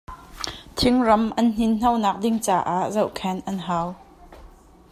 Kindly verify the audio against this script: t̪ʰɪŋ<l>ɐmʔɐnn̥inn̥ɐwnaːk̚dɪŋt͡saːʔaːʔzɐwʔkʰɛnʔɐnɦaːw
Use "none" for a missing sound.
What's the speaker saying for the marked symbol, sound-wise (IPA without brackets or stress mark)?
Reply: r